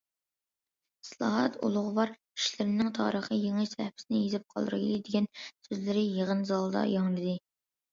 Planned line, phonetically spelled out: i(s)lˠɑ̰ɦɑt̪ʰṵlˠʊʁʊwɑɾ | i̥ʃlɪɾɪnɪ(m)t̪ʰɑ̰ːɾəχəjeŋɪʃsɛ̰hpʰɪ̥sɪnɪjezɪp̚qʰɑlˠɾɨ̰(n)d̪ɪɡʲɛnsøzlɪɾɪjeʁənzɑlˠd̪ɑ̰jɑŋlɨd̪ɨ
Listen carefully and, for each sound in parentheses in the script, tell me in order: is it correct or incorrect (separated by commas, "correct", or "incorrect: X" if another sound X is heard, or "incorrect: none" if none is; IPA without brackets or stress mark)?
correct, incorrect: ŋ, incorrect: none